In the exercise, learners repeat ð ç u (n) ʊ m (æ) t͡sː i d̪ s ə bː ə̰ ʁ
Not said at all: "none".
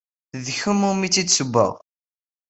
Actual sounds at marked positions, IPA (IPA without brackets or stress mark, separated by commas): m, i